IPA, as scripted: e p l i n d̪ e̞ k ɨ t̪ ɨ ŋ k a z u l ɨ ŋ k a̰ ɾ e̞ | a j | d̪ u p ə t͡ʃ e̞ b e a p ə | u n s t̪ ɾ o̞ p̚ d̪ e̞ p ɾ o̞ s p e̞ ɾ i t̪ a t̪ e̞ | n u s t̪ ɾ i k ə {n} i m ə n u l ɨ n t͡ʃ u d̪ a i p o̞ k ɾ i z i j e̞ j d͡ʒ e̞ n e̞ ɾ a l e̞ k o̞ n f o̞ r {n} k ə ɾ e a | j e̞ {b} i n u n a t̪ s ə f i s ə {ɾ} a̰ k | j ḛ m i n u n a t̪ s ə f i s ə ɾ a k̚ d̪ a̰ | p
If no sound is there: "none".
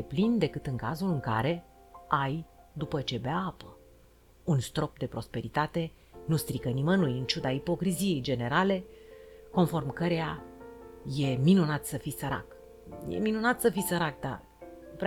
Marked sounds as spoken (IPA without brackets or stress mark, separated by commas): n, m, m, ɾ